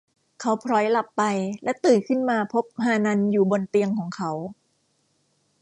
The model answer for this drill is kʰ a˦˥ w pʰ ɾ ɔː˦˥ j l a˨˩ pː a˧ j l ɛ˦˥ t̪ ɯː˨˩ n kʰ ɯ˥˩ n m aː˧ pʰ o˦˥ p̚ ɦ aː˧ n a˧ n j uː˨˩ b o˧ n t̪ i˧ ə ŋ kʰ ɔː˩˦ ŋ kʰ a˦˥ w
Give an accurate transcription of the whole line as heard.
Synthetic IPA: kʰ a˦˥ w pʰ ɾ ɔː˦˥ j l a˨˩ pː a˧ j l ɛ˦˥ t̪ ɯː˨˩ n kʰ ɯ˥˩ n m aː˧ pʰ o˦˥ p̚ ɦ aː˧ n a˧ n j uː˨˩ b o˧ n t̪ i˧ ə ŋ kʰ ɔː˩˦ ŋ kʰ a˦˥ w